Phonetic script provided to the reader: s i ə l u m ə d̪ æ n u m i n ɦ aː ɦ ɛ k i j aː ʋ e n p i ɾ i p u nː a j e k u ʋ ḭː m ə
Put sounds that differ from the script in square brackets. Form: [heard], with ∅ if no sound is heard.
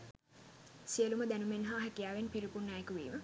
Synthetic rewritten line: s i ə l u m ə d̪ æ n u m [e] n ɦ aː ɦ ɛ k i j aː ʋ e n p i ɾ i p u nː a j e k u ʋ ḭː m ə